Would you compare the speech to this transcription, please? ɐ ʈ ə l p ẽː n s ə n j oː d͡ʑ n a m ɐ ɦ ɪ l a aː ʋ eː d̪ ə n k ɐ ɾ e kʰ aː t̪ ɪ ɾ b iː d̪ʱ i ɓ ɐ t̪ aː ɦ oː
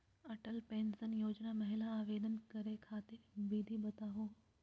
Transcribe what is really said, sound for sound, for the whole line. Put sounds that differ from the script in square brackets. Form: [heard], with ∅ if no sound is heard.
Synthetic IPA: ɐ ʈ ə l p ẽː n s ə n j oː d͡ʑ n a m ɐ ɦ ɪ l a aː ʋ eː d̪ ə n k ɐ ɾ e kʰ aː t̪ ɪ ɾ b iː d̪ʱ i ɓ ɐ t̪ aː ɦ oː

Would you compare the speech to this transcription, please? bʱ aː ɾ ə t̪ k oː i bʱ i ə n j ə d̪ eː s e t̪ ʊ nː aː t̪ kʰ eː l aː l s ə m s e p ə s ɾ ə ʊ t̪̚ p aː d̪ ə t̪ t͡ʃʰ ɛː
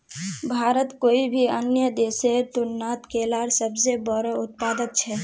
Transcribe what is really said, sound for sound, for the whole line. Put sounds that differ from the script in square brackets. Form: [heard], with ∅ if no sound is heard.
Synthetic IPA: bʱ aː ɾ ə t̪ k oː i bʱ i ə n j ə d̪ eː s e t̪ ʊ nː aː t̪ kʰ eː l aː [ɾ] s ə [b] s e [b] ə [∅] ɾ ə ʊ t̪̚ p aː d̪ ə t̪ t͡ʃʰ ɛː

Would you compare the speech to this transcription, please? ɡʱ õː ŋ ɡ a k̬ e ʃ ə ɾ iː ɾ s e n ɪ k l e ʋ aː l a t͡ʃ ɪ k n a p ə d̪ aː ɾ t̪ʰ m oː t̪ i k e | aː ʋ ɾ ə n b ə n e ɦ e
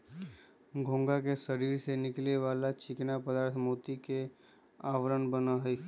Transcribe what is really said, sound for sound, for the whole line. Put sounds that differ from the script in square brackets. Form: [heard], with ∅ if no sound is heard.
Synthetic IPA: ɡʱ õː ŋ ɡ a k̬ e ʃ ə ɾ iː ɾ s e n ɪ k l e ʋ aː l a t͡ʃ ɪ k n a p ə d̪ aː ɾ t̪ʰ m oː t̪ i k e | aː ʋ ɾ ə n b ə n [a] ɦ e

